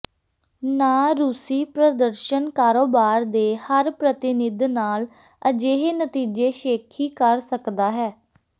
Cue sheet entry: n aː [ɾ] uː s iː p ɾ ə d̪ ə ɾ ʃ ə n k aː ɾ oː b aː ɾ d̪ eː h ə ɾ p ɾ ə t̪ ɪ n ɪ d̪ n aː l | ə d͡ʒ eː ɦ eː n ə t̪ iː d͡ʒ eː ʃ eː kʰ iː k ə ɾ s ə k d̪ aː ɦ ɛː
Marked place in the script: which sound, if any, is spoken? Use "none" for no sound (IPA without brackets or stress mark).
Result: ɾ